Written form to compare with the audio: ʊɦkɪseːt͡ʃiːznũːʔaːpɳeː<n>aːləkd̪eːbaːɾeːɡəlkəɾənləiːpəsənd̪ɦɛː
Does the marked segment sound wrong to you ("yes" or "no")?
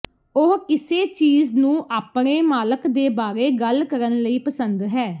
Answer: yes